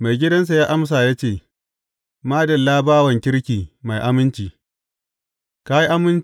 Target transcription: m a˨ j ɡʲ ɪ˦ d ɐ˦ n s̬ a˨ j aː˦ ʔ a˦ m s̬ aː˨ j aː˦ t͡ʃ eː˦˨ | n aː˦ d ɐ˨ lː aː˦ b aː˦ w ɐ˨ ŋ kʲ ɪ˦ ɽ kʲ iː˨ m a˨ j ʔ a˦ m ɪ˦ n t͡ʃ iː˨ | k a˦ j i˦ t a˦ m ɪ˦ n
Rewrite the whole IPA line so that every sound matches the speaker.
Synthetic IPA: m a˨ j ɡʲ ɪ˦ d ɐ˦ n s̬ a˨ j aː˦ ʔ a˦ m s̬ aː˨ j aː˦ t͡ʃ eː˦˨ | m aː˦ d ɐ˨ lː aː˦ b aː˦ w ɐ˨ ŋ kʲ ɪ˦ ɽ kʲ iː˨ m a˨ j ʔ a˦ m ɪ˦ n t͡ʃ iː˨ | k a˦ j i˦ ʔ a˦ m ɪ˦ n